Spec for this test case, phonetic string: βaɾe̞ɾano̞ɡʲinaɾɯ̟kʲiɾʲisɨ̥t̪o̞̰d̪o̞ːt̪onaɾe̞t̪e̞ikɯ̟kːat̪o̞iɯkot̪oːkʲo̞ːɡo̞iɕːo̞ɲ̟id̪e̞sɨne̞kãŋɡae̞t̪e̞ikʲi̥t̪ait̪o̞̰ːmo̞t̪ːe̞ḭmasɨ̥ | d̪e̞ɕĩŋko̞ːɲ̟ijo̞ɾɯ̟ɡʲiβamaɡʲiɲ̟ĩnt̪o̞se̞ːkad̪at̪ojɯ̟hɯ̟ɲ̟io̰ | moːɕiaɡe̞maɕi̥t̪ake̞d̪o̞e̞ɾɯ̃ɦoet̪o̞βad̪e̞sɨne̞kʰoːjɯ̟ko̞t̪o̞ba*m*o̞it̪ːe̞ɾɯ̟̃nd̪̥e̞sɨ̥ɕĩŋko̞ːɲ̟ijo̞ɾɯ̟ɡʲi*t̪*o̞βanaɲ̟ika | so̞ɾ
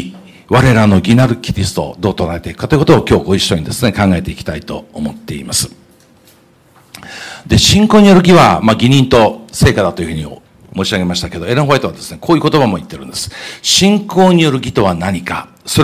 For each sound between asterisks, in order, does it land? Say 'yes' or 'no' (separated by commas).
yes, yes